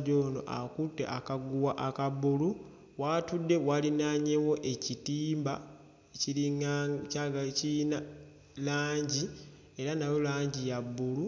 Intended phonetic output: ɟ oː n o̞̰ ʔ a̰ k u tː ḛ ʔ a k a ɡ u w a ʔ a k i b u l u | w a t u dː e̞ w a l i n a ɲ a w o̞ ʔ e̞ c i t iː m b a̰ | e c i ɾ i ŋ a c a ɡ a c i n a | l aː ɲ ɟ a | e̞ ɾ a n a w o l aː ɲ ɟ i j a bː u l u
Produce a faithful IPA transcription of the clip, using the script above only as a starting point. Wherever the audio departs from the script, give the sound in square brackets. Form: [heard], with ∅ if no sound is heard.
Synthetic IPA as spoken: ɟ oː n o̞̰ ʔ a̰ k u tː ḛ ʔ a k a ɡ u w a ʔ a k [a] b u l u | w a t u dː e̞ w a l i n a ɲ [e] w o̞ ʔ e̞ c i t iː m b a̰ | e c i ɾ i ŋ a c a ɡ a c i n a | l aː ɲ ɟ [i] | e̞ ɾ a n a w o l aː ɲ ɟ i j a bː u l u